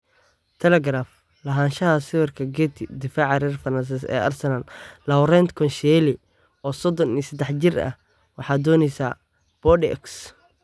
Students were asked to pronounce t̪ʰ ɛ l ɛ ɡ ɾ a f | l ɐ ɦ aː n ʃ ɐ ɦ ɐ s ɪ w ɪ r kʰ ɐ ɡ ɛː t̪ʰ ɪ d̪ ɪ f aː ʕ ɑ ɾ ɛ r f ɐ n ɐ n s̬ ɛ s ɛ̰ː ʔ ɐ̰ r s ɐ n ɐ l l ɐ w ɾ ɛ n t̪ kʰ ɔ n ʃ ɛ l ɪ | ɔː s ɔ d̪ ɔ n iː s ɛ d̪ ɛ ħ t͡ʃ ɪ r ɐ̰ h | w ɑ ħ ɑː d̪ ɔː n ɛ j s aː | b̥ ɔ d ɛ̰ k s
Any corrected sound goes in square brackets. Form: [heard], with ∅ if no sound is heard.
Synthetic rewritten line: t̪ʰ ɛ l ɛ ɡ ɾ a f | l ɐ ɦ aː n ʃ ɐ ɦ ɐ s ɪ w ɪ r kʰ ɐ ɡ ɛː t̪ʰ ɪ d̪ ɪ f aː ʕ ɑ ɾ ɛ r f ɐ n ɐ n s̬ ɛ s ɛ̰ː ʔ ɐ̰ r s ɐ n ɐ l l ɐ w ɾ ɛ n t̪ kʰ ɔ n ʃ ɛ l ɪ | ɔː s ɔ d̪ ɔ n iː s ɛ d̪ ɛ ħ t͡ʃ ɪ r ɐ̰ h | w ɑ ħ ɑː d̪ ɔː n ɛ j s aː | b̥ ɔ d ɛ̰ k s

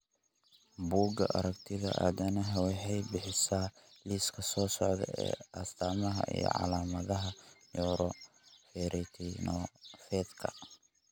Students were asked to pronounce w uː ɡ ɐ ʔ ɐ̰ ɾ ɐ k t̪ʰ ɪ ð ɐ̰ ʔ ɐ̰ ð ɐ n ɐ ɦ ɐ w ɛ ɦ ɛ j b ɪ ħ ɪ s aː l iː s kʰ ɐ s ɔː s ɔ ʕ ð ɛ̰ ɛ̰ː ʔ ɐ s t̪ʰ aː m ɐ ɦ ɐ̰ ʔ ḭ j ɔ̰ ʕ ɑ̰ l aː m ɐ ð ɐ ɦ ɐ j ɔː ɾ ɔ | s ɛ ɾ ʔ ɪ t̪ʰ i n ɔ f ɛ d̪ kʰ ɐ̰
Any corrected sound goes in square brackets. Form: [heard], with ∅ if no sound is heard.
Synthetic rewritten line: [b] uː ɡ ɐ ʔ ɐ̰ ɾ ɐ k t̪ʰ ɪ ð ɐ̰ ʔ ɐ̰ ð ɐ n ɐ ɦ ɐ w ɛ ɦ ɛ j b ɪ ħ ɪ s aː l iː s kʰ ɐ s ɔː s ɔ ʕ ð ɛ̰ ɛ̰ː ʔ ɐ s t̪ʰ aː m ɐ ɦ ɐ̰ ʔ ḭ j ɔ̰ ʕ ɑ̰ l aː m ɐ ð ɐ ɦ ɐ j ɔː ɾ ɔ | [f] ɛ ɾ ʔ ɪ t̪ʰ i n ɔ f ɛ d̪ kʰ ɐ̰

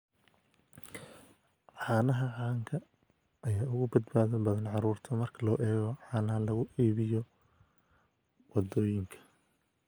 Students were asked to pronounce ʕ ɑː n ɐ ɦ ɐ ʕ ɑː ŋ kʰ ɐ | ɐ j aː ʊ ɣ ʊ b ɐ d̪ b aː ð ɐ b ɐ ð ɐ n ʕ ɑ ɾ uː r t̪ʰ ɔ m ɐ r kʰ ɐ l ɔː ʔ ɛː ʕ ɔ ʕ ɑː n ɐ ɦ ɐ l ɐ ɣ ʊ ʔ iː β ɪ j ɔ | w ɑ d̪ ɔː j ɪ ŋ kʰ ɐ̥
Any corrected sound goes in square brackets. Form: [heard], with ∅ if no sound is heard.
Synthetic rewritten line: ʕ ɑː n ɐ ɦ ɐ ʕ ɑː ŋ kʰ ɐ | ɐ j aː ʊ ɣ ʊ b ɐ d̪ b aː ð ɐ b ɐ ð ɐ n ʕ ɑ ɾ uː r t̪ʰ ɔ m ɐ r kʰ ɐ l ɔː ʔ ɛː [ɣ] ɔ ʕ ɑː n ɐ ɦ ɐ l ɐ ɣ ʊ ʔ iː β ɪ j ɔ | w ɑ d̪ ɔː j ɪ ŋ kʰ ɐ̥

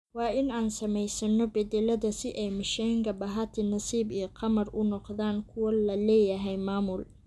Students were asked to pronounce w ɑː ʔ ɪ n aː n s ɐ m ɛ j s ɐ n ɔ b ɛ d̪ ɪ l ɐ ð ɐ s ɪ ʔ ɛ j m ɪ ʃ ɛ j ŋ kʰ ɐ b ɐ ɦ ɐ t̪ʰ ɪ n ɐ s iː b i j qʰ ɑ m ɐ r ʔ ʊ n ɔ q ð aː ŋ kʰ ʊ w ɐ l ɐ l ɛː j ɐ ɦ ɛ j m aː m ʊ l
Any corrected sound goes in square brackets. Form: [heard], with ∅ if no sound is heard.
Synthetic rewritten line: w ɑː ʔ ɪ n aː n s ɐ m ɛ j s ɐ n ɔ b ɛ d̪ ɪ l ɐ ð ɐ s ɪ ʔ ɛ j m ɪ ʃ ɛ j ŋ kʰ ɐ b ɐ ɦ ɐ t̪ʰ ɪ n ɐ s iː b i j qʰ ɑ m ɐ r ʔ ʊ n ɔ q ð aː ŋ kʰ ʊ w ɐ l ɐ l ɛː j ɐ ɦ ɛ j m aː m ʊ l

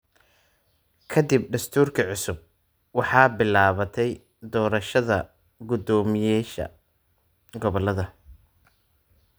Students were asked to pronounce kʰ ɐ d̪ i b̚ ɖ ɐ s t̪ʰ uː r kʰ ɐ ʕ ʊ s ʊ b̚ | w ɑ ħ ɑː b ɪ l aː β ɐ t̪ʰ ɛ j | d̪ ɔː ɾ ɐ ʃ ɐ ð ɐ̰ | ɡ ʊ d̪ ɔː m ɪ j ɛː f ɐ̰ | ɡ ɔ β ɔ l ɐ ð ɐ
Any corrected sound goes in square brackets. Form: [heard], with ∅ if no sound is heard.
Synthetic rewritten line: kʰ ɐ d̪ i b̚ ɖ ɐ s t̪ʰ uː r kʰ ɐ ʕ ʊ s ʊ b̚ | w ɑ ħ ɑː b ɪ l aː β ɐ t̪ʰ ɛ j | d̪ ɔː ɾ ɐ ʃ ɐ ð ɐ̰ | ɡ ʊ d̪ ɔː m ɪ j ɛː [ʃ] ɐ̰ | ɡ ɔ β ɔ l ɐ ð ɐ

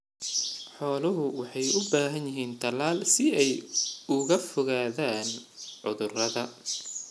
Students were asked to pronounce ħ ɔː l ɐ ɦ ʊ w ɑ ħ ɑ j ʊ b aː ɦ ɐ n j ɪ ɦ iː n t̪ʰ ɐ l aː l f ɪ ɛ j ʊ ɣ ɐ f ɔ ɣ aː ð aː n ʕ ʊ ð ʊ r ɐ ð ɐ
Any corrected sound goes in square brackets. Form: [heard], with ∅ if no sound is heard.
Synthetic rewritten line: ħ ɔː l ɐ ɦ ʊ w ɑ ħ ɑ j ʊ b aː ɦ ɐ n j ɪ ɦ iː n t̪ʰ ɐ l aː l [s] ɪ ɛ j ʊ ɣ ɐ f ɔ ɣ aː ð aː n ʕ ʊ ð ʊ r ɐ ð ɐ

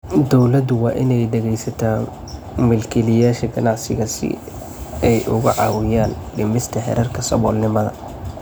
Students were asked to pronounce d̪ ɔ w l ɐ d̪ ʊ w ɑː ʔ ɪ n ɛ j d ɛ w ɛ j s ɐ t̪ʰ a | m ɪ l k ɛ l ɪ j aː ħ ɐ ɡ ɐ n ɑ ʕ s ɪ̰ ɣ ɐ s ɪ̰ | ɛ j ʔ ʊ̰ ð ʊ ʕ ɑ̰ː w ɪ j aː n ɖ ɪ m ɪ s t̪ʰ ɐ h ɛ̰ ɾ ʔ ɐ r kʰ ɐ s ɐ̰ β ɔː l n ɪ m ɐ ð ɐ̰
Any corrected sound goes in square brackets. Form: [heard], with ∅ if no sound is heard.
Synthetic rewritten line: d̪ ɔ w l ɐ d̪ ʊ w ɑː ʔ ɪ n ɛ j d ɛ [ɣ] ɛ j s ɐ t̪ʰ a | m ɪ l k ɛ l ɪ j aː [ʃ] ɐ ɡ ɐ n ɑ ʕ s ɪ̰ ɣ ɐ s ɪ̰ | ɛ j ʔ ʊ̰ [ɣ] ʊ ʕ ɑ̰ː w ɪ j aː n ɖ ɪ m ɪ s t̪ʰ ɐ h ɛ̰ ɾ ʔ ɐ r kʰ ɐ s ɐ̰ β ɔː l n ɪ m ɐ ð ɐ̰

